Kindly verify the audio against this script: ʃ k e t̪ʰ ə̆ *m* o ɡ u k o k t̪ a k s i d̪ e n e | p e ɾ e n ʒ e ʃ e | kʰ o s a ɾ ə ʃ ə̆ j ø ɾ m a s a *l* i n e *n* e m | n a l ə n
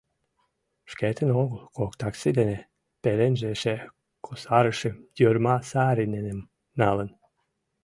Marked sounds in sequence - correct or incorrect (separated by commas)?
incorrect, incorrect, correct